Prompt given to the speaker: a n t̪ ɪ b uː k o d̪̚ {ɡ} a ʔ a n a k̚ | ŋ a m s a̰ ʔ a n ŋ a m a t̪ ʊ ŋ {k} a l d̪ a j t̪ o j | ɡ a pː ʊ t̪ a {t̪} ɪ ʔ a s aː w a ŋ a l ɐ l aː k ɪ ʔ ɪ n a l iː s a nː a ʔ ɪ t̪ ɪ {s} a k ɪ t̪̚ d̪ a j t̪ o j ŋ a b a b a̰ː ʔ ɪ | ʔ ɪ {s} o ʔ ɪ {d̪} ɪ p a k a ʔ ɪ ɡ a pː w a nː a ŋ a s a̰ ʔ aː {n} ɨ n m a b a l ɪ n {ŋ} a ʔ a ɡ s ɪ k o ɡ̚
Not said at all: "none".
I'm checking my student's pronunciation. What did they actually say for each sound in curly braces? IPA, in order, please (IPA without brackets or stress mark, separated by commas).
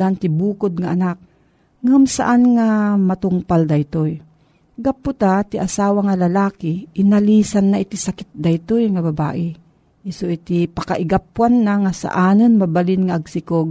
ŋ, p, t̪, s, s, t̪, n, ŋ